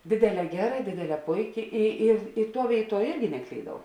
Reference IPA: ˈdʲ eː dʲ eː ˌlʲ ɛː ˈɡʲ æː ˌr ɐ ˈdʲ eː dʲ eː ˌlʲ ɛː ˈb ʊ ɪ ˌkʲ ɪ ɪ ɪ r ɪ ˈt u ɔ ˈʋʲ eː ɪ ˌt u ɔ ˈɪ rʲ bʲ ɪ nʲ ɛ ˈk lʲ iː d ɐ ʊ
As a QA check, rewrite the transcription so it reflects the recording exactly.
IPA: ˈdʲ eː dʲ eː ˌlʲ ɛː ˈɡʲ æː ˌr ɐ ˈdʲ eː dʲ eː ˌlʲ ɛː ˈp ʊ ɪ ˌkʲ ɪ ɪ ɪ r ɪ ˈt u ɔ ˈʋʲ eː ɪ ˌt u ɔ ˈɪ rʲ ɡʲ ɪ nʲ ɛ ˈk lʲ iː d ɐ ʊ